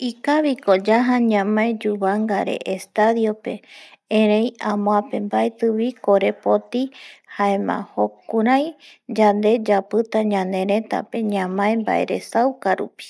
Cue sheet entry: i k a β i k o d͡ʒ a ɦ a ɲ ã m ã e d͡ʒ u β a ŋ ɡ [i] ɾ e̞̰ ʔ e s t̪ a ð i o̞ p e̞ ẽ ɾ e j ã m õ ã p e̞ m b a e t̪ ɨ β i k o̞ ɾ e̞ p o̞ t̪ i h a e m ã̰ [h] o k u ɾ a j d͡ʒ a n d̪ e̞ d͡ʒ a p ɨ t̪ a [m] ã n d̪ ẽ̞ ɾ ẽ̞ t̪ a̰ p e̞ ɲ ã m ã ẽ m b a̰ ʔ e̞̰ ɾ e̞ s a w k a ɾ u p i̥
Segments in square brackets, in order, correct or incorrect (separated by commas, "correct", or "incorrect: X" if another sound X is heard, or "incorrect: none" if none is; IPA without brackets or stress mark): incorrect: a, correct, incorrect: ɲ